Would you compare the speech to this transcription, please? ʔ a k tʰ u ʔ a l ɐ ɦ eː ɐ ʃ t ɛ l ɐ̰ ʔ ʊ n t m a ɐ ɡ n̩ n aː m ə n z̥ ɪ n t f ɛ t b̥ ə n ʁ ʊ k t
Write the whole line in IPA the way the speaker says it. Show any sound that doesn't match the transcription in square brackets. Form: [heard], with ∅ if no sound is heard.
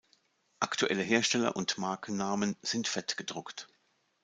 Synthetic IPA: ʔ a k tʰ u ʔ [ɛ] l [ə] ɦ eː ɐ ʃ t ɛ l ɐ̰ ʔ ʊ n t m a ɐ [k] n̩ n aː m ə n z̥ ɪ n t f ɛ t [ɡ̥] ə [d] ʁ ʊ k t